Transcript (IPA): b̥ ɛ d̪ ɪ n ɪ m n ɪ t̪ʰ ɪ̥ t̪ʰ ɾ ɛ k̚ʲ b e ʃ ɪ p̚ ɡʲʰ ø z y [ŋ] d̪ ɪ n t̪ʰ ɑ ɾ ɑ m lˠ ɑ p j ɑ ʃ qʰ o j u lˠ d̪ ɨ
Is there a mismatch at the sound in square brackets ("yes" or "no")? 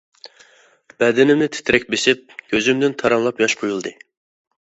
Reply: yes